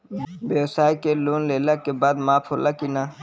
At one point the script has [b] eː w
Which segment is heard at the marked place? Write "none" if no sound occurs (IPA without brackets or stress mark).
b